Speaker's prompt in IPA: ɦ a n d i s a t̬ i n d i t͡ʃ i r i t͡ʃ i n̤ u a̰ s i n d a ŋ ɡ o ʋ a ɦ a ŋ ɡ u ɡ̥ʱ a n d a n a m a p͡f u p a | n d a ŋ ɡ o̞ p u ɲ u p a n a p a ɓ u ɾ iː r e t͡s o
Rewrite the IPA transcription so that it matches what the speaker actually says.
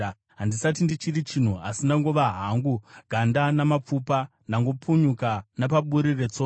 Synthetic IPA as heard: ɦ a n d i s a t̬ i n d i t͡ʃ i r i t͡ʃ i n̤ u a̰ s i n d a ŋ ɡ o ʋ a ɦ a ŋ ɡ u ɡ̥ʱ a n d a n a m a p͡f u p a | n d a ŋ ɡ o̞ p u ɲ u k a n a p a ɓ u ɾ i r e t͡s o

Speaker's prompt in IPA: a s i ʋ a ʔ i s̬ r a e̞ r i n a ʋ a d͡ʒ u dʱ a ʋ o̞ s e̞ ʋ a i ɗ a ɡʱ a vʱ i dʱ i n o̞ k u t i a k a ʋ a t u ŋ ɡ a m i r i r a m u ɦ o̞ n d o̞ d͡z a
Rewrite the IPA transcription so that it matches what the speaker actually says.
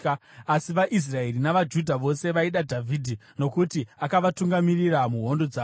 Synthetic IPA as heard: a s i ʋ a ʔ i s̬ r a e̞ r i n a ʋ a d͡ʒ u dʱ a ʋ o̞ s e̞ ʋ a i ɗ a dʱ a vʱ i dʱ i n o̞ k u t i a k a ʋ a t u ŋ ɡ a m i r i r a m u ɦ o̞ n d o̞ d͡z a

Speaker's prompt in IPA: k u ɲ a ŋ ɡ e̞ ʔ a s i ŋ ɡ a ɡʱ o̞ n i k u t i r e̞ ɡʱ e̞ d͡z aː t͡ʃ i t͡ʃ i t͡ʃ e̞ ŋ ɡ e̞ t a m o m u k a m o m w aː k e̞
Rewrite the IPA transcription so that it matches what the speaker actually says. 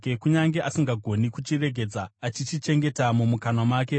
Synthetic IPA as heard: k u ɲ a ŋ ɡ e̞ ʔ a s i ŋ ɡ a ɡʱ o̞ n i k u t͡ʃ i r e̞ ɡʱ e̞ d͡z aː t͡ʃ i t͡ʃ i t͡ʃ e̞ ŋ ɡ e̞ t a m u m u k a n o m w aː k e̞

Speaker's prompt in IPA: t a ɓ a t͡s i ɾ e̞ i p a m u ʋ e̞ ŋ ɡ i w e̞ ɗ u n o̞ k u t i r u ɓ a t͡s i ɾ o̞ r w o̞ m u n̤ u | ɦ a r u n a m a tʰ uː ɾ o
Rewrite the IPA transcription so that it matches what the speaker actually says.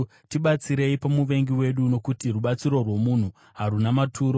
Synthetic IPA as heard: t i ɓ a t͡s i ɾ e̞ i p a m u ʋ e̞ ŋ ɡ i w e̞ ɗ u n o̞ k u t i r u ɓ a t͡s i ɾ o̞ r w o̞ m u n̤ u | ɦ a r u n a m a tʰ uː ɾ o

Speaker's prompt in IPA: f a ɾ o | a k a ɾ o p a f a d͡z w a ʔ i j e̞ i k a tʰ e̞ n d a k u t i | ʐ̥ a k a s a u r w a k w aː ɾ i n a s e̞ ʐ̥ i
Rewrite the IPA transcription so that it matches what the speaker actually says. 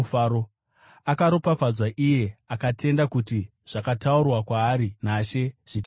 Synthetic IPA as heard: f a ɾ o | a k a ɾ o p a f a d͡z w a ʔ i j e̞ a k a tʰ e̞ n d a k u t i | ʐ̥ a k a t a u r w a k w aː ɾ i n a ʃ e̞ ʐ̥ i

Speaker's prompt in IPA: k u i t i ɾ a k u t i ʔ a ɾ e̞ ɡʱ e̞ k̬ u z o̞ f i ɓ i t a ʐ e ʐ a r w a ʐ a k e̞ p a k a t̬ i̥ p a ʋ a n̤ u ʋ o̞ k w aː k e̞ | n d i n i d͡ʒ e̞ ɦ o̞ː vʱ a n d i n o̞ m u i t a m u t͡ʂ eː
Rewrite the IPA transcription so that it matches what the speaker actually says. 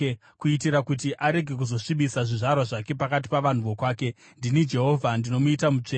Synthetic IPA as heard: k u i t i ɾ a k u t i ʔ a ɾ e̞ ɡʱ e̞ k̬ u z o̞ ʂ i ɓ i s a ʐ i ʐ a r w a ʐ a k e̞ p a k a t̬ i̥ p a ʋ a n̤ u ʋ o̞ k w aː k e̞ | n d i n i d͡ʒ e̞ ɦ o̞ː vʱ a n d i n o̞ m u i t a m u t͡ʂ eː

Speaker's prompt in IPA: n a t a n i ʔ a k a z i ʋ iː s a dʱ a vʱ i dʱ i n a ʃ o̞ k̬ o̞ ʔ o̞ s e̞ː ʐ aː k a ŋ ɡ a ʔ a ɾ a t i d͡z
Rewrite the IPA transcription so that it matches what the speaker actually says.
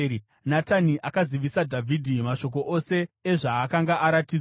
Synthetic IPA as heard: n a t a n i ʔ a k a z i ʋ i s a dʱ a vʱ i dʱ i m a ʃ o̞ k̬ o̞ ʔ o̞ s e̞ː ʐ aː k a ŋ ɡ a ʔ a ɾ a t i d͡z

